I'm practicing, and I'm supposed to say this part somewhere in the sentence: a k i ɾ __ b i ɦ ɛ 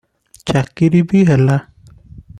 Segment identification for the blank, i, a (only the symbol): i